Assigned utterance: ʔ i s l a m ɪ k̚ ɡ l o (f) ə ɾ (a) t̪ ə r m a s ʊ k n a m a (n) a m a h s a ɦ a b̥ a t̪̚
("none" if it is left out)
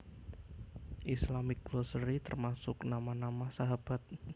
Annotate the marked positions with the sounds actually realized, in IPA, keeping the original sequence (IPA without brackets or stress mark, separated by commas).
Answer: s, i, n